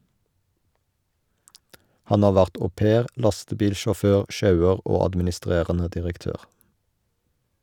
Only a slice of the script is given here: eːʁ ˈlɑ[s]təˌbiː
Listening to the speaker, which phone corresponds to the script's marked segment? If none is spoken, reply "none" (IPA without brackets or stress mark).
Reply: s